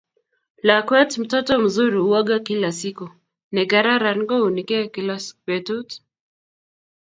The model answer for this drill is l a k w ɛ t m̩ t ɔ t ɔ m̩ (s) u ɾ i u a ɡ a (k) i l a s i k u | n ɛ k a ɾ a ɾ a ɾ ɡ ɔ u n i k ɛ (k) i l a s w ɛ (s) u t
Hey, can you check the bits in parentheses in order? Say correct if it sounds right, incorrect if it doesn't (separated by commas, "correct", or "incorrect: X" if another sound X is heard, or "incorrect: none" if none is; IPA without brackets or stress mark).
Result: incorrect: z, correct, correct, incorrect: t